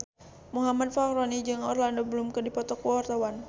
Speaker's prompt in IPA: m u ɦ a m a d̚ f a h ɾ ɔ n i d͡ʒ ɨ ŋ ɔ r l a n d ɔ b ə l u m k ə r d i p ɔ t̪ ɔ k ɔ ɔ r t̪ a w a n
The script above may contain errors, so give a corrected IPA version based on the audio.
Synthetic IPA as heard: m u ɦ a m a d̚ f a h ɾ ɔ n i d͡ʒ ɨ ŋ ɔ r l a n d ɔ b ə l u m k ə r d i p ɔ t̪ ɔ k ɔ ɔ r t̪ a w a n